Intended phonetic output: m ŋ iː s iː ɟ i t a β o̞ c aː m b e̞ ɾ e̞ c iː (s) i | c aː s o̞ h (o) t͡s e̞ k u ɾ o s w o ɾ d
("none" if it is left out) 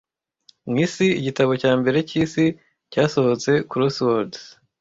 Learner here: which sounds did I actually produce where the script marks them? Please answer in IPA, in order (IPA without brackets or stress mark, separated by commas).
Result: s, o